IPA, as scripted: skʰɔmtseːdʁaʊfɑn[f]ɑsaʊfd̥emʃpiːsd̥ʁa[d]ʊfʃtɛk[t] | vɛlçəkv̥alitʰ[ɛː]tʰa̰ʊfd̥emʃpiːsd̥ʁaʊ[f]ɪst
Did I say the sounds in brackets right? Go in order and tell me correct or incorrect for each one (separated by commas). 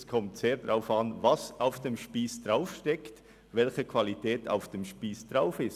incorrect, incorrect, correct, correct, correct